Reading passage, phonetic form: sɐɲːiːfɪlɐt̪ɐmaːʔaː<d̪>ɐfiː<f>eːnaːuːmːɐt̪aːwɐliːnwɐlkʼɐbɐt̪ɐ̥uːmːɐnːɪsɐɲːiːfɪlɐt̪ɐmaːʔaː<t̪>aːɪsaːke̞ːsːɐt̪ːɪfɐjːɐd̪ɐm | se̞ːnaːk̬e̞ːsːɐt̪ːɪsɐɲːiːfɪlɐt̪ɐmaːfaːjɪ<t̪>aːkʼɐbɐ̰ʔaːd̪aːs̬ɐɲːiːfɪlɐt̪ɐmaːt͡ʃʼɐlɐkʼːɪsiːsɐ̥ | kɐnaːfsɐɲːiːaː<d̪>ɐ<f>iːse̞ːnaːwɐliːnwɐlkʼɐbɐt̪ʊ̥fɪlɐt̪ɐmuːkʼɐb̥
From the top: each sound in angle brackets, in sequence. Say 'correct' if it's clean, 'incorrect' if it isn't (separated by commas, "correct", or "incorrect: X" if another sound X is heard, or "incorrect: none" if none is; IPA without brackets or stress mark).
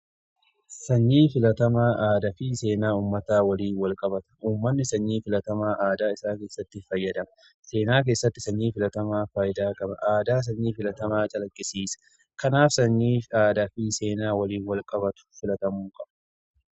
correct, incorrect: s, incorrect: d̪, incorrect: d̪, correct, correct